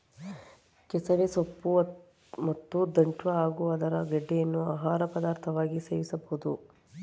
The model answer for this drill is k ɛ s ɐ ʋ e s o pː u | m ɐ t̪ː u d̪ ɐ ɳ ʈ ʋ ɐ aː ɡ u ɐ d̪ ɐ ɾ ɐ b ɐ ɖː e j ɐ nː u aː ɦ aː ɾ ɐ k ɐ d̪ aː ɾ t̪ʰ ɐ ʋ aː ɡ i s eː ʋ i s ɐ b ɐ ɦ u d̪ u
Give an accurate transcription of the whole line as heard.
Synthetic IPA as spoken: k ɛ s ɐ ʋ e s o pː u | m ɐ t̪ː u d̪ ɐ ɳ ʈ ʋ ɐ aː ɡ u ɐ d̪ ɐ ɾ ɐ ɡ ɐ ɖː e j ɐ nː u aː ɦ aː ɾ ɐ p ɐ d̪ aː ɾ t̪ʰ ɐ ʋ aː ɡ i s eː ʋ i s ɐ b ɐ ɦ u d̪ u